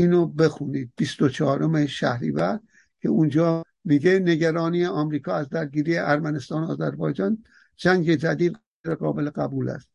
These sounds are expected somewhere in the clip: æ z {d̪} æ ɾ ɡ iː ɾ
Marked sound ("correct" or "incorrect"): correct